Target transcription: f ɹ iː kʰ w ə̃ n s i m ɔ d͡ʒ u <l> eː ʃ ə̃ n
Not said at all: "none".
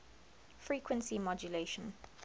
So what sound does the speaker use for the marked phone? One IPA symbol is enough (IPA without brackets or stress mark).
l